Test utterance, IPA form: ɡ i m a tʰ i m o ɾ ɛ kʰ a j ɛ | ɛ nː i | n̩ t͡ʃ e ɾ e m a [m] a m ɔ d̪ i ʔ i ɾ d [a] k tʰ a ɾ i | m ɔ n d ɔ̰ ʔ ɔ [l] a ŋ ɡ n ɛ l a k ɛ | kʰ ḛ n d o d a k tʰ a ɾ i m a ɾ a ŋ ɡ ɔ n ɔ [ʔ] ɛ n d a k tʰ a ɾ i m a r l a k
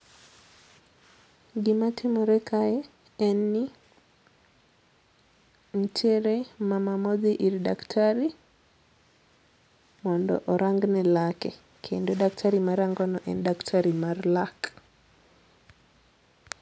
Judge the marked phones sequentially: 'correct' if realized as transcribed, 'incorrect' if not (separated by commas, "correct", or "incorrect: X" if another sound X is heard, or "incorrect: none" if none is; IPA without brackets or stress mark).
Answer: correct, correct, incorrect: ɾ, correct